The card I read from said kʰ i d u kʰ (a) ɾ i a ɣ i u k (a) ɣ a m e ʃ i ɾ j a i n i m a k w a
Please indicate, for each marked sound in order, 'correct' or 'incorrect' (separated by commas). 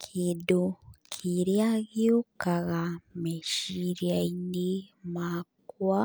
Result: incorrect, correct